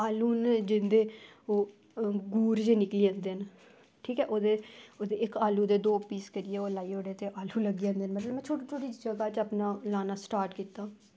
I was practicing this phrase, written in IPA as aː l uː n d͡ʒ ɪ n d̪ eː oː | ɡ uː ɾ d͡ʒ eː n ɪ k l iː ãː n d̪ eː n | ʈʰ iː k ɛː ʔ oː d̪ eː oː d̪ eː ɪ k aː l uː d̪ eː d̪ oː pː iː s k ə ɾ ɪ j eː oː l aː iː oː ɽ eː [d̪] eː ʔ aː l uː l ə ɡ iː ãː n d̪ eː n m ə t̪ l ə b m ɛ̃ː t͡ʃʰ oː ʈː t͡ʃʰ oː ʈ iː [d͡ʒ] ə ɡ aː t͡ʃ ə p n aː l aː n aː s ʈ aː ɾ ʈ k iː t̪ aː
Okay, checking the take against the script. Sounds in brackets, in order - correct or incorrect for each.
incorrect: t̪, correct

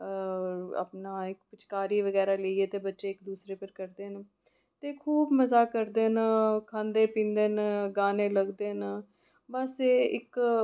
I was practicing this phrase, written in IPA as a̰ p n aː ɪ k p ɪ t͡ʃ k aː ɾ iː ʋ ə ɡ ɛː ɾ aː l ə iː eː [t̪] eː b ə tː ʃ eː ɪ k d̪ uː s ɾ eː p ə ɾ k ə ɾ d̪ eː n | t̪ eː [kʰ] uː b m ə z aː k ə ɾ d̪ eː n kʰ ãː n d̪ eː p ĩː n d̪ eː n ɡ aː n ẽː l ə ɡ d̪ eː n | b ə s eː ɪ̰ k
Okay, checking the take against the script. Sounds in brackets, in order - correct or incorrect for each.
correct, correct

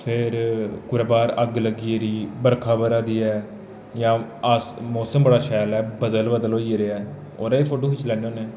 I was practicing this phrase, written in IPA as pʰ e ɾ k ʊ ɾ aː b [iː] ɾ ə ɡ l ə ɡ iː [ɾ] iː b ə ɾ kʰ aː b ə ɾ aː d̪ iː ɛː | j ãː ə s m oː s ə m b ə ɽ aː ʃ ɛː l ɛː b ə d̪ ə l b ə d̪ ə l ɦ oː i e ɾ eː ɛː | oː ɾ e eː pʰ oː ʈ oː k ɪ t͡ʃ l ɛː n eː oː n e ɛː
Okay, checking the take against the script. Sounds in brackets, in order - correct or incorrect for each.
incorrect: aː, correct

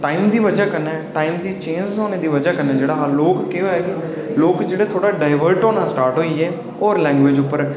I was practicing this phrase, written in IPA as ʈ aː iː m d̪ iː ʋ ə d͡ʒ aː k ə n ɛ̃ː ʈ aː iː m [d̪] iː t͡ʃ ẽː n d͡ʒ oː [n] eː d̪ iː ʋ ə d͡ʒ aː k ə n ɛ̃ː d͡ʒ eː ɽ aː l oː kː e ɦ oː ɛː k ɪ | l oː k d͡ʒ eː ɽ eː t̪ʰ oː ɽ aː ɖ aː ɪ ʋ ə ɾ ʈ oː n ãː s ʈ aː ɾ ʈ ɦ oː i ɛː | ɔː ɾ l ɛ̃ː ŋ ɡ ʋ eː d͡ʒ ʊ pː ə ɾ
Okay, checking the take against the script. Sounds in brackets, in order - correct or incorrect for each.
correct, correct

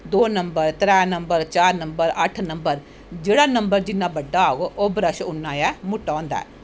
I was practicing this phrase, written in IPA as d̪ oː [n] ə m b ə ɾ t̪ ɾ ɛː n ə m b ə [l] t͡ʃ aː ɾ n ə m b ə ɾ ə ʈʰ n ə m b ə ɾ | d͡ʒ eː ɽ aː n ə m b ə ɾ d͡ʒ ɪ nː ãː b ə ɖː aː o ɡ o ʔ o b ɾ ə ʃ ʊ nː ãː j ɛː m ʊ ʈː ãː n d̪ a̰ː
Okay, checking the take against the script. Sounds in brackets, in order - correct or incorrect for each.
correct, incorrect: ɾ

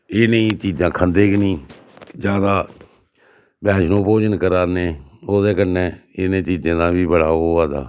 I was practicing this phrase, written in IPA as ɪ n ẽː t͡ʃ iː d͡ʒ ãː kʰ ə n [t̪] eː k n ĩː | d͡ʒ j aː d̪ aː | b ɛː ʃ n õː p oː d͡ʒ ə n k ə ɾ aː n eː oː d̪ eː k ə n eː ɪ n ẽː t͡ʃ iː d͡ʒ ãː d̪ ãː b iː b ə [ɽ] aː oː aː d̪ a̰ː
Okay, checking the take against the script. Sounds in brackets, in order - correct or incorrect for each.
incorrect: d̪, correct

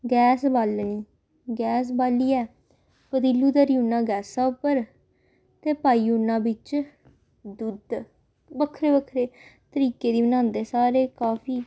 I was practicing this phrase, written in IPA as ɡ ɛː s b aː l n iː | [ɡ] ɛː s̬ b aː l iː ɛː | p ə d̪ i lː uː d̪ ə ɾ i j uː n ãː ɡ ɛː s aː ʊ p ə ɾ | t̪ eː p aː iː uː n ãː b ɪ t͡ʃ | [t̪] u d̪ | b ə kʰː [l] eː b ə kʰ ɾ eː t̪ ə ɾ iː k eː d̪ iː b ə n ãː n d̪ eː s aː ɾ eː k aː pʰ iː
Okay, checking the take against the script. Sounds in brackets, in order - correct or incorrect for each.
correct, incorrect: d̪, incorrect: ɾ

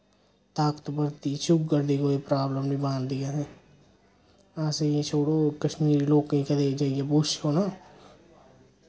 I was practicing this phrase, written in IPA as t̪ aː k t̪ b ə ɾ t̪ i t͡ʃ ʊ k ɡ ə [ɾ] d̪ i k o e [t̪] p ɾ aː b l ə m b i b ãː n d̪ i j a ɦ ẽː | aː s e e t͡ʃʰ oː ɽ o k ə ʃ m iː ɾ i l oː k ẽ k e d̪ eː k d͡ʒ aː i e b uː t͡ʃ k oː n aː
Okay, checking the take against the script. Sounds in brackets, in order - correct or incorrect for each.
correct, incorrect: none

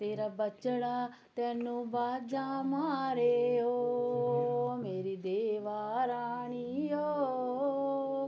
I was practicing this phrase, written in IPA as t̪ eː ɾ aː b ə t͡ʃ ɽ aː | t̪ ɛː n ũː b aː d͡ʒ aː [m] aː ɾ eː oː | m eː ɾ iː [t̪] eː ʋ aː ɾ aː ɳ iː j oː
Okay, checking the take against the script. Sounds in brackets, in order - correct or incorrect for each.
correct, incorrect: d̪

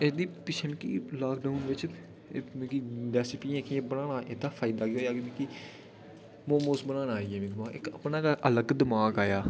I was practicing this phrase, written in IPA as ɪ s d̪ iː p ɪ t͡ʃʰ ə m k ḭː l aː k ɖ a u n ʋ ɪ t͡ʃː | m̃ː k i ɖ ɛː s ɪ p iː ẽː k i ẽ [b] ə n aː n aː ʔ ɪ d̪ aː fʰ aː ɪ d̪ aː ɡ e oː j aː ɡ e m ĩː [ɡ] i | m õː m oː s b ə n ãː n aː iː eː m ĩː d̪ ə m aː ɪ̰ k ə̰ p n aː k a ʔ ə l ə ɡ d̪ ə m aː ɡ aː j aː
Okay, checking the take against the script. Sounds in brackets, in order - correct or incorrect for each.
correct, incorrect: k

